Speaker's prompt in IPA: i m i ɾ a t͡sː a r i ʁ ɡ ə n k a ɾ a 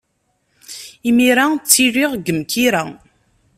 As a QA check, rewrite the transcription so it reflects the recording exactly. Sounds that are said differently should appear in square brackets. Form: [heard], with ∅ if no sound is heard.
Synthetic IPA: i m i ɾ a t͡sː [i] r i ʁ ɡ ə [m] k [i] ɾ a

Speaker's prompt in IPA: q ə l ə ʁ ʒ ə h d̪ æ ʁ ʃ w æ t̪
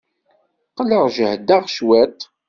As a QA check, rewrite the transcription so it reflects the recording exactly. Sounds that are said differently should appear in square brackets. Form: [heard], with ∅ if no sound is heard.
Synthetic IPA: q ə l ə ʁ ʒ ə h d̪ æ ʁ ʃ w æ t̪

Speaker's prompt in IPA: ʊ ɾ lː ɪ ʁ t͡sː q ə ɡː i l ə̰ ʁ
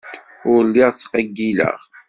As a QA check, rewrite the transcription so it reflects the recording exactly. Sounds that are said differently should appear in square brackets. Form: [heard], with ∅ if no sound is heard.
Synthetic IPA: ʊ ɾ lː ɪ ʁ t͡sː q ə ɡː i l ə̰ ʁ

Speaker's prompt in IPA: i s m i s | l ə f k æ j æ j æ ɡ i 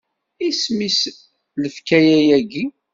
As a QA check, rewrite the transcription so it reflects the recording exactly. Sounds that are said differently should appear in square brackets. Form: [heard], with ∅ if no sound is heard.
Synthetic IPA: i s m i s | l ə f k æ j æ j æ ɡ i

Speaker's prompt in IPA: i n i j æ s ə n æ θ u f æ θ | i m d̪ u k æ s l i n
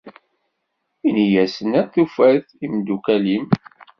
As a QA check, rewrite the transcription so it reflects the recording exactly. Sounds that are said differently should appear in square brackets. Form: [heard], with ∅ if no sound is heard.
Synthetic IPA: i n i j æ s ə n æ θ u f æ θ | i m d̪ u k æ [∅] l i [m]

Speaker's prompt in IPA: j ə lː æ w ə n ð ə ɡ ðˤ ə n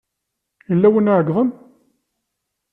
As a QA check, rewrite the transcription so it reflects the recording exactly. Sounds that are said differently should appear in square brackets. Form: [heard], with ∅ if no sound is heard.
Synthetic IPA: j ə lː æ w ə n [ʕ] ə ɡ ðˤ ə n

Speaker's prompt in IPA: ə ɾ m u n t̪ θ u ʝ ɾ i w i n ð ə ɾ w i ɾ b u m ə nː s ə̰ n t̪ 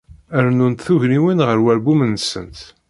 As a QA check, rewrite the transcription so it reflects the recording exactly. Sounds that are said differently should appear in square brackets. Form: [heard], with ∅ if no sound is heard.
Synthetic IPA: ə ɾ [n] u n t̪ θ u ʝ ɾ i w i n [ʁ] ə ɾ w [æ] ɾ b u m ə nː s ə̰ n t̪

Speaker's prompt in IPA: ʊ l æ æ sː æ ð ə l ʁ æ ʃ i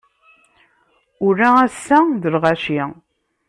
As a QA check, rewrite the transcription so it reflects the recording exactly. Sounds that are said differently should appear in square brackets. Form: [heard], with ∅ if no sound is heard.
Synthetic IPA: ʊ [ɾ] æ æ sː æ ð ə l ʁ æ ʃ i

